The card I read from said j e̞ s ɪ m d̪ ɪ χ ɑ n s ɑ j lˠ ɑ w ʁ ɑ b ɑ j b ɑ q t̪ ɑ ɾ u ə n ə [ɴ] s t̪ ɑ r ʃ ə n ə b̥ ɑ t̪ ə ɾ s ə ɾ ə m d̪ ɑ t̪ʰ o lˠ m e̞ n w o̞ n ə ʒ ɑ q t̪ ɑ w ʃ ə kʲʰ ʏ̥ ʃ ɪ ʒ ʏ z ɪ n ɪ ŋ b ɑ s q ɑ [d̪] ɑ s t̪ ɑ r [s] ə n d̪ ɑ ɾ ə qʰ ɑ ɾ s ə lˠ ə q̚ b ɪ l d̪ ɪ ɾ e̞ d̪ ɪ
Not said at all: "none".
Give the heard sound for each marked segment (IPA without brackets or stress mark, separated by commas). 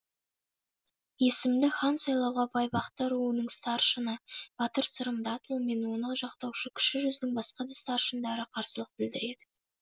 ɴ, d̪, ʃ